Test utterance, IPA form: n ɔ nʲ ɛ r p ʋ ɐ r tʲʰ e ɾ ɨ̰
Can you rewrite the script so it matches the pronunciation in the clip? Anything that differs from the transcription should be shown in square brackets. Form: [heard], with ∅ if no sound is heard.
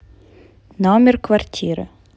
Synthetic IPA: n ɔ [mʲ] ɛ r [k] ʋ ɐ r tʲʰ [i] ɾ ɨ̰